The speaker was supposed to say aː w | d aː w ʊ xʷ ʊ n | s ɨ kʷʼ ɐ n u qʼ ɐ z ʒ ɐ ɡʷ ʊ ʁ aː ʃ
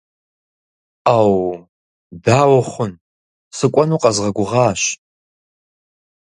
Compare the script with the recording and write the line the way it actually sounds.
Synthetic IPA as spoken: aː w | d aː w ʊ χʷ ʊ n | s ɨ kʷʼ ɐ n u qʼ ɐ z ʁ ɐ ɡʷ ʊ ʁ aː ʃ

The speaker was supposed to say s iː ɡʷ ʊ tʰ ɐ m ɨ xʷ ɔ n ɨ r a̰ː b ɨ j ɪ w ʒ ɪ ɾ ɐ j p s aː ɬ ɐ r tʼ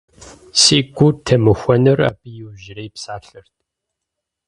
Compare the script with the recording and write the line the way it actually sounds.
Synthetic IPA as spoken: s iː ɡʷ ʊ tʰ ɐ m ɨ xʷ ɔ n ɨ r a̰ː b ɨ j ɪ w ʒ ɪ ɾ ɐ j p s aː ɬ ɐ r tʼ

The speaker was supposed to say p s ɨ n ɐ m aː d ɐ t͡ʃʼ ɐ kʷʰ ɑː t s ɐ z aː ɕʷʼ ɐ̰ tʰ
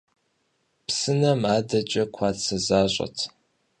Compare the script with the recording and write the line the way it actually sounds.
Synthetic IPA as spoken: p s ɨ n ɐ m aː d ɐ t͡ʃʼ ɐ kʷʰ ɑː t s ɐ z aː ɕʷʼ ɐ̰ tʰ

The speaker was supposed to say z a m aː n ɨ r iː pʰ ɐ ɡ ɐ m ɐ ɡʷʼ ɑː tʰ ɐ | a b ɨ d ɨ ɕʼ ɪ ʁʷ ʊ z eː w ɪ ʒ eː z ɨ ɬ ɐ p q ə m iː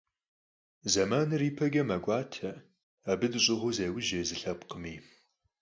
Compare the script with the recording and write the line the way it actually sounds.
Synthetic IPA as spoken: z ɐ m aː n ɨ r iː pʰ ɐ ɡ ɐ m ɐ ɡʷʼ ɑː tʰ ɐ | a b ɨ d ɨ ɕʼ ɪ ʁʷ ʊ z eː w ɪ ʒ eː z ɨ ɬ ɐ p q ə m iː

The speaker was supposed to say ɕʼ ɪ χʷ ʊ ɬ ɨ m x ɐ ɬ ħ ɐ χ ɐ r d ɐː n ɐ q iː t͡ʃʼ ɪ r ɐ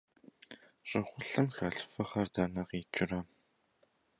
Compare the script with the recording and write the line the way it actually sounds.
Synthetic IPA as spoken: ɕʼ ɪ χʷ ʊ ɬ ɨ m x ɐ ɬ f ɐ χ ɐ r d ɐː n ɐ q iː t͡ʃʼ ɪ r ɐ

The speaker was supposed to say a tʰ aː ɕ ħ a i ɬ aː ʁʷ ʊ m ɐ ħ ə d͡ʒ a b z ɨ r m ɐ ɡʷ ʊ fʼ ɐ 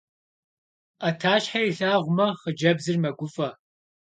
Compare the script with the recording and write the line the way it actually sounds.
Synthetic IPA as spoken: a tʰ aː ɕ ħ a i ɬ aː ʁʷ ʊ m ɐ χ ə d͡ʒ ɐ b z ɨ r m ɐ ɡʷ ʊ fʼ ɐ

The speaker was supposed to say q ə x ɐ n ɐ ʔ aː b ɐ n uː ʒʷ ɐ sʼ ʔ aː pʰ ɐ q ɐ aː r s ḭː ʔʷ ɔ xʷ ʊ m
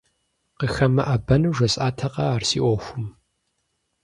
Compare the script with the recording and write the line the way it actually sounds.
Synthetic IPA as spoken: q ə x ɐ m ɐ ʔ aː b ɐ n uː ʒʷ ɐ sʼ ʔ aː tʰ ɐ q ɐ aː r s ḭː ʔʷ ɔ xʷ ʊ m

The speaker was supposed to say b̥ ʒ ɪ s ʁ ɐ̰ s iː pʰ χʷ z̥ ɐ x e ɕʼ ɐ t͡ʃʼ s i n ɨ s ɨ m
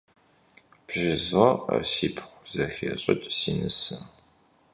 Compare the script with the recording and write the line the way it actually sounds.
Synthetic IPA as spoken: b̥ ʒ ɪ z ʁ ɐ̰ s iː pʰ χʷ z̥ ɐ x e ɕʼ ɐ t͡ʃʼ s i n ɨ s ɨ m

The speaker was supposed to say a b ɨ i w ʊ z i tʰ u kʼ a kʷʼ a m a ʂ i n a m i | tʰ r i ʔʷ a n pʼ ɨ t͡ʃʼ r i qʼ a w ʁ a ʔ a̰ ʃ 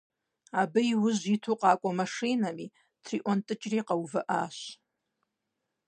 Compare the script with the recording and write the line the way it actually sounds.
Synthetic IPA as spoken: a b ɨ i w ʊ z i tʰ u qʼ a kʷʼ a m a ʂ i n a m i | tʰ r i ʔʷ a n tʼ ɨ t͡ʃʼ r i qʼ a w v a ʔ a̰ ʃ

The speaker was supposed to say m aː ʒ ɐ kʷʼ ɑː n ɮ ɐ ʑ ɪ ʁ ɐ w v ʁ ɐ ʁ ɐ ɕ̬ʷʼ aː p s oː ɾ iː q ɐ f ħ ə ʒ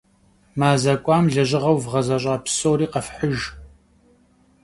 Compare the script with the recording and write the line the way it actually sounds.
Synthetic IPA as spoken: m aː z ɐ kʷʼ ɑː m ɮ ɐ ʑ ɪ ʁ ɐ w v ʁ ɐ z ɐ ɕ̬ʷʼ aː p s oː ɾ iː q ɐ f ħ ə ʒ

